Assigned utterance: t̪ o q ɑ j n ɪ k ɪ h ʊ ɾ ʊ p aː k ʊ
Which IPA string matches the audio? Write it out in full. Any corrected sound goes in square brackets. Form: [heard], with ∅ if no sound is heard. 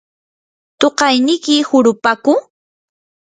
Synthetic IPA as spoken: t̪ o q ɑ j n ɪ k ɪ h ʊ ɾ ʊ p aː k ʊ